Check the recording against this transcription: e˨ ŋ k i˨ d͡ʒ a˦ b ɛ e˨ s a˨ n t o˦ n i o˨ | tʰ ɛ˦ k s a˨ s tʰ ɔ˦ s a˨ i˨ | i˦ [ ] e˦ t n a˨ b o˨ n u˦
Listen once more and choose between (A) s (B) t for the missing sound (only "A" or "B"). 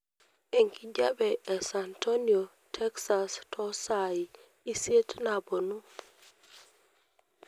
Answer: A